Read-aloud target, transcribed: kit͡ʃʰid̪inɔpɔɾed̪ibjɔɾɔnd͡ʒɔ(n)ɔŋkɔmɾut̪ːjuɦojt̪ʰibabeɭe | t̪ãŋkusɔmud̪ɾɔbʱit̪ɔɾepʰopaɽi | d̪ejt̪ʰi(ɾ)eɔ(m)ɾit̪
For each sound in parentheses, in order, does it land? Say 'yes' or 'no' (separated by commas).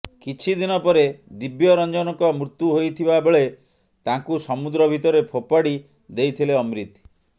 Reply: yes, no, yes